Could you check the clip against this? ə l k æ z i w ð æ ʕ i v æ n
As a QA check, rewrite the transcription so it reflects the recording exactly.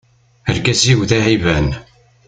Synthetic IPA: ə ɾ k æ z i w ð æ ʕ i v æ n

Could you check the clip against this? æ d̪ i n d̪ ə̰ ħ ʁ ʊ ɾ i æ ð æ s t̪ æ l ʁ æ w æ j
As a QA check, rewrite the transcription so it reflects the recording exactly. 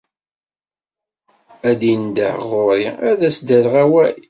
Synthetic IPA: æ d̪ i n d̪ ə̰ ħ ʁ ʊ ɾ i æ ð æ s d̪ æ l ʁ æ w æ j

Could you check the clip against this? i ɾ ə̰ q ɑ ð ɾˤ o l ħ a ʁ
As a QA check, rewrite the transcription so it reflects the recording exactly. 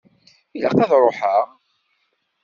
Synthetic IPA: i l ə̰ q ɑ ð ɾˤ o ħ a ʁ

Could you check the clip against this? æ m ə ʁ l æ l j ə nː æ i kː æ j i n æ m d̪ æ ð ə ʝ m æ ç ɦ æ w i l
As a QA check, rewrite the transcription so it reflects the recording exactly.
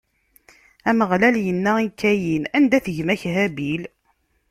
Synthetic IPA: æ m ə ʁ l æ l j ə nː æ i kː æ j i n æ n d̪ æ θ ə ʝ m æ ç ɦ æ b i l

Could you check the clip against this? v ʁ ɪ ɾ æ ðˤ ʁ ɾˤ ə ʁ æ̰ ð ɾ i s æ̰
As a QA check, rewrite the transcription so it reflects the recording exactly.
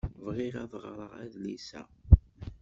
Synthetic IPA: v ʁ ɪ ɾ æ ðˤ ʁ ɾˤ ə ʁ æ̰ ð l i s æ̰

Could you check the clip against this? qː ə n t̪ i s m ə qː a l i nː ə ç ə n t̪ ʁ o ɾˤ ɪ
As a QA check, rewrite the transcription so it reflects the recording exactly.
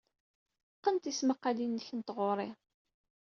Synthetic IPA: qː ə n t̪ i s m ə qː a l i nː ə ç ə n t̪ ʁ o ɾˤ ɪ

